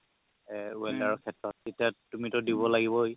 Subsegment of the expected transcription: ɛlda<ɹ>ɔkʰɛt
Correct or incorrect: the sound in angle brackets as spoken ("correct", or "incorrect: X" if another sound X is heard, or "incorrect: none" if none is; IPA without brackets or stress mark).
correct